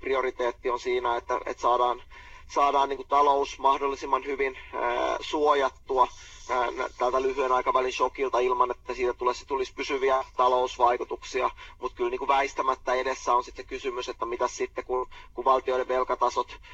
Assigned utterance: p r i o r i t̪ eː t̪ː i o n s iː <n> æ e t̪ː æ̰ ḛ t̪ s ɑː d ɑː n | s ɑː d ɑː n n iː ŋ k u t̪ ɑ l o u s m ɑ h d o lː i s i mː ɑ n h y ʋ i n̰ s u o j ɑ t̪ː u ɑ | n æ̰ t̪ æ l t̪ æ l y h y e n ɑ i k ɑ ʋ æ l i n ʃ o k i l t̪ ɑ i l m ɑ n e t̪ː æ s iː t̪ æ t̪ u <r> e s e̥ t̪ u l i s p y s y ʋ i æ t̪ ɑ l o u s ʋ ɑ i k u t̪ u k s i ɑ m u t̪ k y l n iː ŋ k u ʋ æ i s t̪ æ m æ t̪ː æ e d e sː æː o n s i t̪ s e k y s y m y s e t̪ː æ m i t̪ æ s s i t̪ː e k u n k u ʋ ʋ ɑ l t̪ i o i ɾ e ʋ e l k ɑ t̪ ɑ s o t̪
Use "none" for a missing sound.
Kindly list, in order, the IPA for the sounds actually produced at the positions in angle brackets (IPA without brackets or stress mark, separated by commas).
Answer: n, l